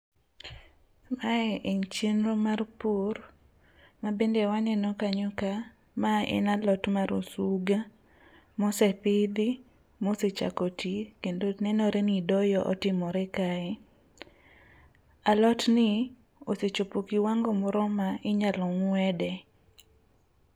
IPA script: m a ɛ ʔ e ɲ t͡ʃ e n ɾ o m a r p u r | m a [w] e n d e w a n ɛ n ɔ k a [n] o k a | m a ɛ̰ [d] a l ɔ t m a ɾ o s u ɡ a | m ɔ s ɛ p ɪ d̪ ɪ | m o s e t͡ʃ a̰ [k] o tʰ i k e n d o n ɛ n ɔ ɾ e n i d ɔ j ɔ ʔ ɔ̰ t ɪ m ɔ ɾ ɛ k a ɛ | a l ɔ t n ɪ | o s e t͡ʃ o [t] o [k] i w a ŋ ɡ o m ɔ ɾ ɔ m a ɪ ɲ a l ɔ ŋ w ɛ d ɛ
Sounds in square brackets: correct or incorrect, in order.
incorrect: b, incorrect: ɲ, incorrect: n, correct, incorrect: p, correct

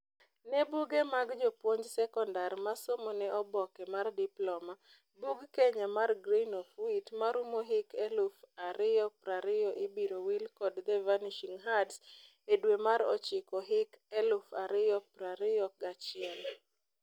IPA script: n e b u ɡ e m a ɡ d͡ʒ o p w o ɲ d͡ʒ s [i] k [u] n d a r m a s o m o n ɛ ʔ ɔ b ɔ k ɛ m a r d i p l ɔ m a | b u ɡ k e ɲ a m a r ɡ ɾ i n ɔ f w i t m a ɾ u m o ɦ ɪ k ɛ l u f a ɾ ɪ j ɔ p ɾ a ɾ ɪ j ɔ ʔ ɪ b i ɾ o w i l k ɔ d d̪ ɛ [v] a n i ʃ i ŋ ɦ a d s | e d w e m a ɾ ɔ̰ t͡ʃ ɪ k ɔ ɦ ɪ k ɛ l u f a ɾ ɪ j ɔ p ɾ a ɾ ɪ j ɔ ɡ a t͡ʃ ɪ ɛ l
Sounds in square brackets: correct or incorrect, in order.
incorrect: ɛ, incorrect: ɔ, correct

